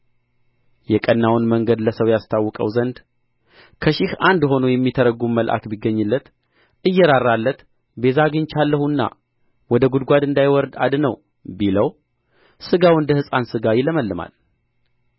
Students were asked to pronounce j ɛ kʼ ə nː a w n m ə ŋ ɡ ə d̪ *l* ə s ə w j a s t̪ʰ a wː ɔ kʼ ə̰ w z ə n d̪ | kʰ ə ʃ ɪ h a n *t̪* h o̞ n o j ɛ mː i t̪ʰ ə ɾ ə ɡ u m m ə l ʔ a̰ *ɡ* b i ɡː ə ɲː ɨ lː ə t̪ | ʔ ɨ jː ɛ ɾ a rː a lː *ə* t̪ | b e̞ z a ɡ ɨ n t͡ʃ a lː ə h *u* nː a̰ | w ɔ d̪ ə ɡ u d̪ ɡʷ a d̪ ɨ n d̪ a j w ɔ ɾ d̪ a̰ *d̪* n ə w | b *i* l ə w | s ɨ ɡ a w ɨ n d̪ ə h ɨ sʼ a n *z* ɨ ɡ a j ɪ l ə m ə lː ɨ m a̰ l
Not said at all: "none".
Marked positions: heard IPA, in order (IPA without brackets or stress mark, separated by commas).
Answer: l, d̪, k, ə, u, d̪, i, s